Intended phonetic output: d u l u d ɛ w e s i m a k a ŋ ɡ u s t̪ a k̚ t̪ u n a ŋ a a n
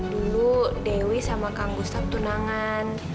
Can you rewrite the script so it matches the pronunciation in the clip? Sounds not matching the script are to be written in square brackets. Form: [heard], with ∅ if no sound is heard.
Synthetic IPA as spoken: d u l u d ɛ w [i] s [a] m a k a ŋ ɡ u s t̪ a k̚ t̪ u n a ŋ a a n